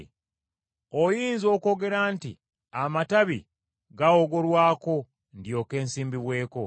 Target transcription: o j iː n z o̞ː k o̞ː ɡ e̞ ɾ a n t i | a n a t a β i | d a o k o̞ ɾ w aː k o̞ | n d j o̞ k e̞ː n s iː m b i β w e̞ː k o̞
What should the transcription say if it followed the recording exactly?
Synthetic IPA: o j iː n z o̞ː k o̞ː ɡ e̞ ɾ a n t i | a m a t a β i | ɡ a o ɡ o̞ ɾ w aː k o̞ | n d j o̞ k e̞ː n s iː m b i β w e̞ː k o̞